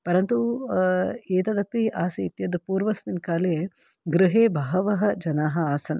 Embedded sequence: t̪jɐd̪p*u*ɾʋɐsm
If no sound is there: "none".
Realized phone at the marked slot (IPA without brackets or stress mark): uː